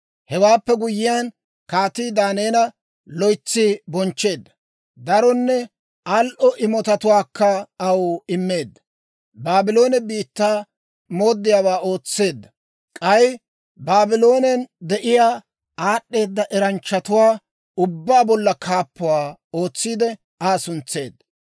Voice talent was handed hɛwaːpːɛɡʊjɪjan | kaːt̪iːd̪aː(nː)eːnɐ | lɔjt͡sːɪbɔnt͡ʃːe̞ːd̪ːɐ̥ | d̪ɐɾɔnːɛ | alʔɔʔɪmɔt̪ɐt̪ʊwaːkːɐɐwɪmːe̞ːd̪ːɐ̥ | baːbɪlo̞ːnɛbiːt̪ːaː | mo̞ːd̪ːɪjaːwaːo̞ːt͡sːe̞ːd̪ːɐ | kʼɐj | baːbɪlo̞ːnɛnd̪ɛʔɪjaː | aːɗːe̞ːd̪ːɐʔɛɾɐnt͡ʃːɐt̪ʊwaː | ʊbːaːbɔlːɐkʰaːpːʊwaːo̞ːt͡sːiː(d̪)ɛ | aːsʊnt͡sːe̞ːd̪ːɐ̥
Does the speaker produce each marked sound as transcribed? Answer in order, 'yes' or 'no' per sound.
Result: no, yes

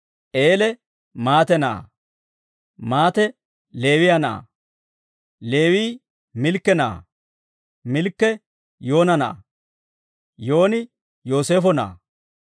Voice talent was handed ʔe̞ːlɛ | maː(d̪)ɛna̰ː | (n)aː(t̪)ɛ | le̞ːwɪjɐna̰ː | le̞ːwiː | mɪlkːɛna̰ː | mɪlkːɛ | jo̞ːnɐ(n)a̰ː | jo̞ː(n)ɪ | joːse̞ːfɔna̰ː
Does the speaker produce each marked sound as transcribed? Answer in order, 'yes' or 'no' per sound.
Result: no, no, yes, yes, yes

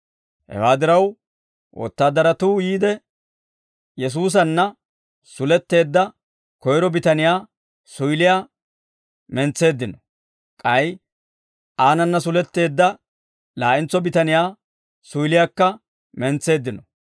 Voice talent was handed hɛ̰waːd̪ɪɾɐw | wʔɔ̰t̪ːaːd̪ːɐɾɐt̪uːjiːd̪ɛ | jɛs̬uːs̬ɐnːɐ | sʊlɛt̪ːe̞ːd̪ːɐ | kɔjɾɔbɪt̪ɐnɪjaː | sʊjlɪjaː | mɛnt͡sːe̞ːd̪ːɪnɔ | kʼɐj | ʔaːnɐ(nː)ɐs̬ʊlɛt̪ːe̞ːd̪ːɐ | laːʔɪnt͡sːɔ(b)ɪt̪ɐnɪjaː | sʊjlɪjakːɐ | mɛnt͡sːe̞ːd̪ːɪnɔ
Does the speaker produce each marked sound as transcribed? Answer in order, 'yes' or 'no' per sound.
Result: yes, yes

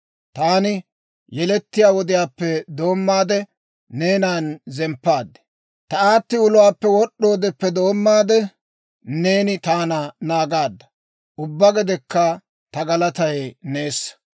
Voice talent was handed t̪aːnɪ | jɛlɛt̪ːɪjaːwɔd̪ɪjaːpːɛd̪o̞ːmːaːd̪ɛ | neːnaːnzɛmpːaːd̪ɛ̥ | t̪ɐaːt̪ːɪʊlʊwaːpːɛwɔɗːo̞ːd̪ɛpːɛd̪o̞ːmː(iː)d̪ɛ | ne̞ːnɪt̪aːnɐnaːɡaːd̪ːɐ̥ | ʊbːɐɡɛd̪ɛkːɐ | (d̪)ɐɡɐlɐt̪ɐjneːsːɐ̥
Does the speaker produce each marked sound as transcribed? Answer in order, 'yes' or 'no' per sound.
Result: no, no

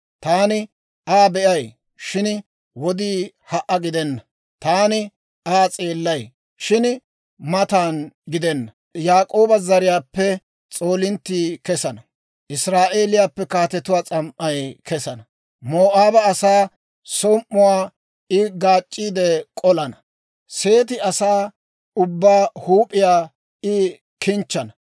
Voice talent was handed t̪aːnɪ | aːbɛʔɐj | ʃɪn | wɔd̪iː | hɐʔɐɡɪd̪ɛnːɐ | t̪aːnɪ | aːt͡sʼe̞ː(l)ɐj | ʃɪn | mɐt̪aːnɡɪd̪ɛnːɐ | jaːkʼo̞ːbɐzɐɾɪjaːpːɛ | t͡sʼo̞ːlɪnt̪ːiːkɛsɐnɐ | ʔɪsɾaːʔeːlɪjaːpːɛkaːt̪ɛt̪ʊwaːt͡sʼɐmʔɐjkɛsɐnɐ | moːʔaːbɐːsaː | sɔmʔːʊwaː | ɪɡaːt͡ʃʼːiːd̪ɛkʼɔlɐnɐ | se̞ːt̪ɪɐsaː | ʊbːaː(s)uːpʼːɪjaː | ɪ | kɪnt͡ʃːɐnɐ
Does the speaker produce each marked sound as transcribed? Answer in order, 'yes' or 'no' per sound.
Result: no, no

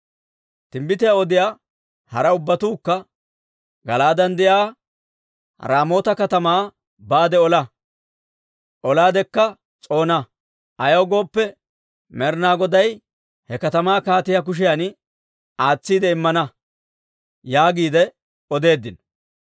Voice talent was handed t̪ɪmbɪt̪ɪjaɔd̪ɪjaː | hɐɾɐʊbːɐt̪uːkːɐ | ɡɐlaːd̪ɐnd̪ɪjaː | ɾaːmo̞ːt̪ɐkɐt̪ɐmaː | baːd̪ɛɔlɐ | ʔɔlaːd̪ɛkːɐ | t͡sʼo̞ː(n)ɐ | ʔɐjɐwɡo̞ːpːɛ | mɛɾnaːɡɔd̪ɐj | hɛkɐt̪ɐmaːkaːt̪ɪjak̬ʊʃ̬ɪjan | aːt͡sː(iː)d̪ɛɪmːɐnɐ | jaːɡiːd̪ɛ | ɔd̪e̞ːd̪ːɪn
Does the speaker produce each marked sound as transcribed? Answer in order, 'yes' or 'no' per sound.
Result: yes, yes

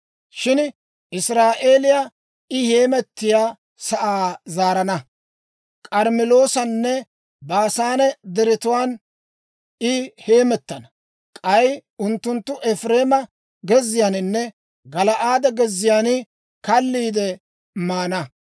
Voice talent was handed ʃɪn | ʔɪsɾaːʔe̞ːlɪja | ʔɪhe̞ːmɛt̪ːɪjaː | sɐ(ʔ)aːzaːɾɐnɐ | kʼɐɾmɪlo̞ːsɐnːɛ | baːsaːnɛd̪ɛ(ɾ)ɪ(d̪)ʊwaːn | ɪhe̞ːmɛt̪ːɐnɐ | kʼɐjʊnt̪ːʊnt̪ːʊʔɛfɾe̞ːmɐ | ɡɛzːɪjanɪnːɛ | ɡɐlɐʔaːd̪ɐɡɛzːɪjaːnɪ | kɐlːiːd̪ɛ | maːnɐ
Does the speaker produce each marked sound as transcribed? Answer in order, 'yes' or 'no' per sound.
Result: yes, yes, no

